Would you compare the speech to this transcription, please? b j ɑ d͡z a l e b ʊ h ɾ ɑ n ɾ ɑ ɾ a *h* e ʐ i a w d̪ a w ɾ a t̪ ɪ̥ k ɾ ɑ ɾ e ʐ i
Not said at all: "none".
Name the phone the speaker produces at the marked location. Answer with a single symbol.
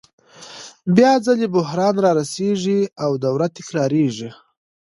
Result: s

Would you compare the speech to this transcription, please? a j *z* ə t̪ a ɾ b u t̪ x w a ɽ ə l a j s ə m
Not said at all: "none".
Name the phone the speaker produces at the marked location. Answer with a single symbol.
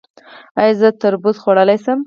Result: z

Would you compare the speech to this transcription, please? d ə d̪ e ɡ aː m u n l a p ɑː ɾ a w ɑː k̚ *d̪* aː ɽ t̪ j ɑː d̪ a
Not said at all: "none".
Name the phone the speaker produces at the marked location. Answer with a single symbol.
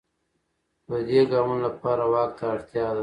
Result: t̪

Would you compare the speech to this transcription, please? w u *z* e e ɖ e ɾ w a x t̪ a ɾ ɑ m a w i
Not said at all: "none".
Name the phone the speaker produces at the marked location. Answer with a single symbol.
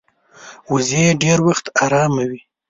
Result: z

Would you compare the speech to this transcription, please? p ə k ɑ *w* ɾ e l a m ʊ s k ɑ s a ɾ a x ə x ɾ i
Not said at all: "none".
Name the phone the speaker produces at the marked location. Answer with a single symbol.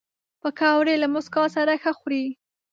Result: w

